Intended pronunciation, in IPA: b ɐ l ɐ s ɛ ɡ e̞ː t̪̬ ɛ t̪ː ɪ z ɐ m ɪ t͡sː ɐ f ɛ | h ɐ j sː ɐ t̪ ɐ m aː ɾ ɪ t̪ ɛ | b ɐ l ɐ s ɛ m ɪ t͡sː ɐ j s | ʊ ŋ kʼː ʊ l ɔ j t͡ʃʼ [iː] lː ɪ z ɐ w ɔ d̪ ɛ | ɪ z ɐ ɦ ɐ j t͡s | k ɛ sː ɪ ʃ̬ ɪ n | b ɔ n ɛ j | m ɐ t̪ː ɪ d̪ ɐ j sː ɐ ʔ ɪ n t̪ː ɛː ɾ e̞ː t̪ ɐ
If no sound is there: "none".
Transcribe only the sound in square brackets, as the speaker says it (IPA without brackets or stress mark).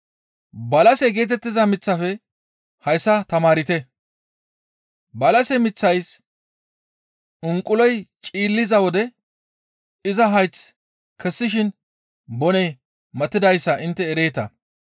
iː